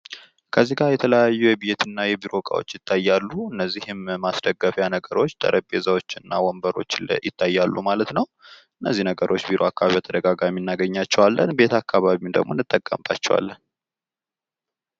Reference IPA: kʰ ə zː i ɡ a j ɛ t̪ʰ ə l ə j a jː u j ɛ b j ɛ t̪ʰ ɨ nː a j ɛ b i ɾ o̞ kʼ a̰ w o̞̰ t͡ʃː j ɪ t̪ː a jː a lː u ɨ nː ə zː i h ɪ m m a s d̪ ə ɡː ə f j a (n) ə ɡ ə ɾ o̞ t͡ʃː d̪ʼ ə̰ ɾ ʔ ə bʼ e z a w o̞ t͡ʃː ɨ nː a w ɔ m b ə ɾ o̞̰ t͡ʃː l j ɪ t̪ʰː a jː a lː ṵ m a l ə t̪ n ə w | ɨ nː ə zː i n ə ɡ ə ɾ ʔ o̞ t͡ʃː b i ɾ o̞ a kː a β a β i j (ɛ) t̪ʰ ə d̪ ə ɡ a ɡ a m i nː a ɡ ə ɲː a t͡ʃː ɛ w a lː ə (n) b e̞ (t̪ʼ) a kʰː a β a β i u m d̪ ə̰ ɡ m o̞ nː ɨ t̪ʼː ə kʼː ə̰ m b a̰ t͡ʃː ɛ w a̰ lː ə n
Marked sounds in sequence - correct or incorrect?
correct, incorrect: a, correct, incorrect: t̪

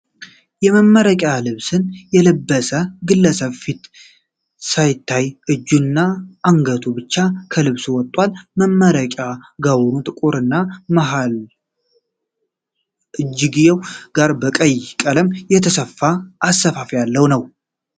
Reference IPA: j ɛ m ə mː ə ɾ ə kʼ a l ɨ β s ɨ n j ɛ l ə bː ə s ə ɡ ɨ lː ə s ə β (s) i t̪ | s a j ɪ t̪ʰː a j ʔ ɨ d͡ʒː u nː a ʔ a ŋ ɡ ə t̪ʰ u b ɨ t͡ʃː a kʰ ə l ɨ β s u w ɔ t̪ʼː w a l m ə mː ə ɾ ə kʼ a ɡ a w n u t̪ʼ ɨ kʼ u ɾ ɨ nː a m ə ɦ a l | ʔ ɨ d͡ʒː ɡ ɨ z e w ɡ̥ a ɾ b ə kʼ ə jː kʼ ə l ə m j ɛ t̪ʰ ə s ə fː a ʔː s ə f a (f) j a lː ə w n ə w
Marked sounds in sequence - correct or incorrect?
incorrect: f, correct

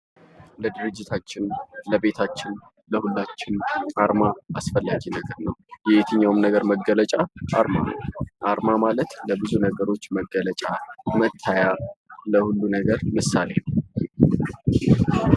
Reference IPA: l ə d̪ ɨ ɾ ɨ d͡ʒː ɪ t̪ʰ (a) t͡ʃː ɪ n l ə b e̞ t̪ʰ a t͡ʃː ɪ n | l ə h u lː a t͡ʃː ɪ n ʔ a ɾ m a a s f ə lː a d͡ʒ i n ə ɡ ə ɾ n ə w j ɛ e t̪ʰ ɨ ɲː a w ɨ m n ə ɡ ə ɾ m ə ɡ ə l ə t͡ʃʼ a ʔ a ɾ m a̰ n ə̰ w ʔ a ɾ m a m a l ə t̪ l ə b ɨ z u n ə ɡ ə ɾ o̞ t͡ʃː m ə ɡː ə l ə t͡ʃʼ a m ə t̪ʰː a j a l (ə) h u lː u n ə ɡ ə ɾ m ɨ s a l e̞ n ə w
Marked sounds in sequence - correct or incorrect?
correct, correct

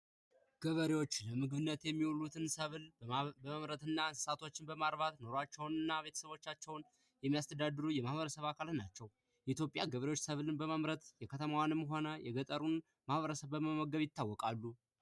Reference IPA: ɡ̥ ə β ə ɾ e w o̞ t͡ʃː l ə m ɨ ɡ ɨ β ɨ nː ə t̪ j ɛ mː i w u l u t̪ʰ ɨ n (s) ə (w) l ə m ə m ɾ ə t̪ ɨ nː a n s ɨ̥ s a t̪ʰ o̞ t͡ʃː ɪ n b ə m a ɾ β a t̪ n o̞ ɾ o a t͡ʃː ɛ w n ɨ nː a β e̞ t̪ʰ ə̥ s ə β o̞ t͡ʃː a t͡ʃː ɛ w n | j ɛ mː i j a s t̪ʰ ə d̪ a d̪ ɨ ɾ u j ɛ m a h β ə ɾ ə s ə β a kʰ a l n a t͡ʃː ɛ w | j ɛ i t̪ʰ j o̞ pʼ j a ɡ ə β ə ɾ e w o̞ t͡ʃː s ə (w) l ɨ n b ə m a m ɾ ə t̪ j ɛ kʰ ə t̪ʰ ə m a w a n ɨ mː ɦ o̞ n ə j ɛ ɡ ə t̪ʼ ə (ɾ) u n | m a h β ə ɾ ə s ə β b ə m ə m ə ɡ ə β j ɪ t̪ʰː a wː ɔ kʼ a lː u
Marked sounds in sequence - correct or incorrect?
correct, incorrect: β, incorrect: β, correct

